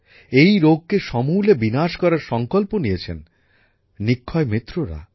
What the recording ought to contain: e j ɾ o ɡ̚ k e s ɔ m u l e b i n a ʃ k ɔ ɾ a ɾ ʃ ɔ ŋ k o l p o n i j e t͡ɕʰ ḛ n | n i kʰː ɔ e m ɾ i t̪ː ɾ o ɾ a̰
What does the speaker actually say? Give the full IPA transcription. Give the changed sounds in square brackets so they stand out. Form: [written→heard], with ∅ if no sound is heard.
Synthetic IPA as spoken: e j ɾ o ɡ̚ k e [s→ʃ] ɔ m u l e b i n a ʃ k ɔ ɾ a ɾ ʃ ɔ ŋ k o l p o n i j e t͡ɕʰ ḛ n | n i kʰː ɔ e m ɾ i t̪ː ɾ o ɾ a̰